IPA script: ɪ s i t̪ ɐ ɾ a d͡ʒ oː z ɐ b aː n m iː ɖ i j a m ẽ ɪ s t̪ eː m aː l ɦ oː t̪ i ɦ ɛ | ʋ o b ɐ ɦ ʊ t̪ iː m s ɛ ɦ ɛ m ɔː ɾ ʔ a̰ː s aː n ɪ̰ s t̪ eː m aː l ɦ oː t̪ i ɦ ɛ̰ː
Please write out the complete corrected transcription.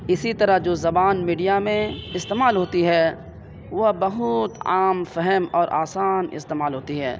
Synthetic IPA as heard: ɪ s i t̪ ɐ ɾ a d͡ʒ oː z ɐ b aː n m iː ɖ i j a m ẽ ɪ s t̪ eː m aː l ɦ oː t̪ i ɦ ɛ | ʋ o b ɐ ɦ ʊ t̪ aː m f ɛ ɦ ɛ m ɔː ɾ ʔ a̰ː s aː n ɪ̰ s t̪ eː m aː l ɦ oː t̪ i ɦ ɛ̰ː